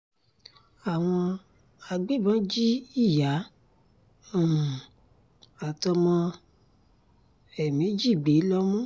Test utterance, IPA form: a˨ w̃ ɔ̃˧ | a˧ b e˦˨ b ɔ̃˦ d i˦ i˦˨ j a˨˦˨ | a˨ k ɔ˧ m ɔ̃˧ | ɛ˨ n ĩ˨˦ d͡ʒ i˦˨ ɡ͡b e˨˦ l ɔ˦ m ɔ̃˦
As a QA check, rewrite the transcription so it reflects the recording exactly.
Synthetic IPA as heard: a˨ w̃ ɔ̃˧ | a˧ ɡ͡b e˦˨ b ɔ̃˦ d͡ʒ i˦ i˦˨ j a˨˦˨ | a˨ t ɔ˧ m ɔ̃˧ | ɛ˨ m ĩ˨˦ d͡ʒ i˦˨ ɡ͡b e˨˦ l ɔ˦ m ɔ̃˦